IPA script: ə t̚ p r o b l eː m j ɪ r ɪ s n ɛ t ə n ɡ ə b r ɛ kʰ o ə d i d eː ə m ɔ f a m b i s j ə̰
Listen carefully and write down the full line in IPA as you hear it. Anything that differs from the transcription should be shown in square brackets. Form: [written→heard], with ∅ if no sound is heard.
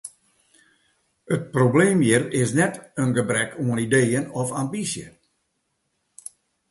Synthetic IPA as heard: ə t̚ p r o b l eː m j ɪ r ɪ s n ɛ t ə n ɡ ə b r ɛ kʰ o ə [d→n] i d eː ə [m→n] ɔ f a m b i s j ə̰